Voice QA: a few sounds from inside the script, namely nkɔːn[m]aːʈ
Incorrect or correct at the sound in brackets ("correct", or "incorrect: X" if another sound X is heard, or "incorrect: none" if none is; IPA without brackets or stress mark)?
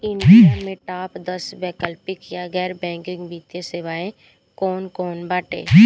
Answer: incorrect: b